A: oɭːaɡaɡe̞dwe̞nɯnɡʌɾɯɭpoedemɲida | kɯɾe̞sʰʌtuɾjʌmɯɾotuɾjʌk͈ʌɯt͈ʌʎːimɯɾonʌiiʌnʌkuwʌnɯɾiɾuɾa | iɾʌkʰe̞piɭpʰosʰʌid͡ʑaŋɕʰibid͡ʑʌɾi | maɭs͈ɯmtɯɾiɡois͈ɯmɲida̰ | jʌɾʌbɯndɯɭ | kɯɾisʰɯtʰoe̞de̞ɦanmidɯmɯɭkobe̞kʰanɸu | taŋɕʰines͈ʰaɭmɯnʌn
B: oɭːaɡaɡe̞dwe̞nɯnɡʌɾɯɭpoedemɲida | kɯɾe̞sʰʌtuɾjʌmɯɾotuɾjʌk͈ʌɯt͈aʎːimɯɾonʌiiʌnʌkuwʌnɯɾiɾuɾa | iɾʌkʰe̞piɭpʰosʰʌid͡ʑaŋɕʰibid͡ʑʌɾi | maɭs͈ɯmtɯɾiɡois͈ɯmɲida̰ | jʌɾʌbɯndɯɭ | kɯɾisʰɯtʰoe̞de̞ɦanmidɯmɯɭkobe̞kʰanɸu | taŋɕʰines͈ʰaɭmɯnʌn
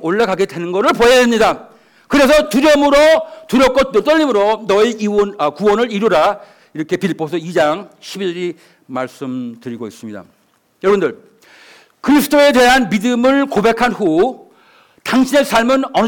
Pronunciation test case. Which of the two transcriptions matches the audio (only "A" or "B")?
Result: A